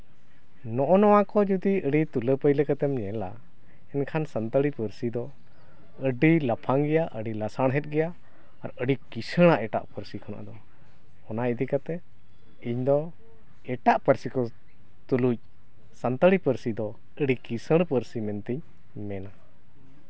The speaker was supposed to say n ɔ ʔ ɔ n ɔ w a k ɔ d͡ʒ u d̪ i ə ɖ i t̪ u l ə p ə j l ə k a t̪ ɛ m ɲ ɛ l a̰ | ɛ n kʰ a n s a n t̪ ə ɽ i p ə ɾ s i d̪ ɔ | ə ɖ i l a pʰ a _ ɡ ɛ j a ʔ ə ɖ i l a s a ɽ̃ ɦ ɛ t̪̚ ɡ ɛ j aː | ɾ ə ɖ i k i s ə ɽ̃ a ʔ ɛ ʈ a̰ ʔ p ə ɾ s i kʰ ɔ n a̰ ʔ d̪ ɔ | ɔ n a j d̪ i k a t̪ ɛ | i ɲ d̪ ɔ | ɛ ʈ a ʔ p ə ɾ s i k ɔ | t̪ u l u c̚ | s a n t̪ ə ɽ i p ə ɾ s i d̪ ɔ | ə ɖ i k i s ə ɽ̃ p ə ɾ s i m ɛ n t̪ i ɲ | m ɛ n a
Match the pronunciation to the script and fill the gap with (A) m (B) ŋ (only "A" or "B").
B